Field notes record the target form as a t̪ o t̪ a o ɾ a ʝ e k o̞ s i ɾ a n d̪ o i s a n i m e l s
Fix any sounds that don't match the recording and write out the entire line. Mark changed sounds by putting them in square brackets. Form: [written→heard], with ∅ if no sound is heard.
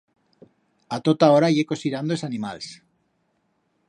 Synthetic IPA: a t̪ o t̪ a o ɾ a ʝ e k o̞ s i ɾ a n d̪ o [i→e] s a n i m [e→a] l s